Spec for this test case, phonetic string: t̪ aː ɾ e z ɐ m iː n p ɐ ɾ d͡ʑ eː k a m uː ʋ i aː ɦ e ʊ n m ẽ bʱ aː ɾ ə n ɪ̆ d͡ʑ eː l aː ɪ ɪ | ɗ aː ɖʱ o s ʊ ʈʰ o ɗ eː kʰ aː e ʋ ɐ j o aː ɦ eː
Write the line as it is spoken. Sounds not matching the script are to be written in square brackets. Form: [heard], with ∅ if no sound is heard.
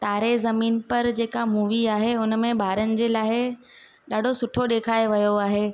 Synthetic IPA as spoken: t̪ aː ɾ e z ɐ m iː n p ɐ ɾ d͡ʑ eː k a m uː ʋ i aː ɦ e ʊ n m ẽ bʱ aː ɾ ə n ɪ̆ d͡ʑ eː l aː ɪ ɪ | ɗ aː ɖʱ o s ʊ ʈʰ o ɗ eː kʰ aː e ʋ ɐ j o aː ɦ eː